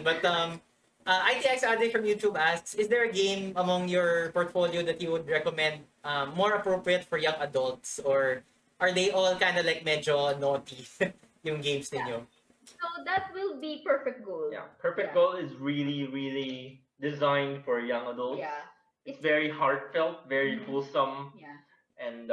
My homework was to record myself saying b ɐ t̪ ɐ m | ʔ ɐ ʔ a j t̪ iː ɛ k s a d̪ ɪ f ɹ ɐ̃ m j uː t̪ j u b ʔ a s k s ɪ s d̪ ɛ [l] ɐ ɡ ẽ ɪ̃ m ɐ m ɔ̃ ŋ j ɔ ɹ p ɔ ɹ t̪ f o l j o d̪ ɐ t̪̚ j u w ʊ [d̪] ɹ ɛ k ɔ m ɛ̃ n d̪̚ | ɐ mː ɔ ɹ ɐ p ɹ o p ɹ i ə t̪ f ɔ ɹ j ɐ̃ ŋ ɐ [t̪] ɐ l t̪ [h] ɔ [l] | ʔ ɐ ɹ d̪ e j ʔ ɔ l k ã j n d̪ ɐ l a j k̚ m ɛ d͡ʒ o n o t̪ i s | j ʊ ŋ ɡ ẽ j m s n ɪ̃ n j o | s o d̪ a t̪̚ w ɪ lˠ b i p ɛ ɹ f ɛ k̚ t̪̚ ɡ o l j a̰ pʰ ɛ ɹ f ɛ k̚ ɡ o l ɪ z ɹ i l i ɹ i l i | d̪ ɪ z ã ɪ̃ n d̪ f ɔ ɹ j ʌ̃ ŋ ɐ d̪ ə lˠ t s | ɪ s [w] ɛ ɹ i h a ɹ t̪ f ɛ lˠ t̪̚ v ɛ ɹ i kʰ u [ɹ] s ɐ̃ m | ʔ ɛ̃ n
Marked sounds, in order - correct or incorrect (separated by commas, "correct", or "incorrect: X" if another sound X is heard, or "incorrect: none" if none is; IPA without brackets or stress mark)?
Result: incorrect: ɹ, correct, incorrect: d̪, incorrect: s, incorrect: ɹ, incorrect: v, incorrect: l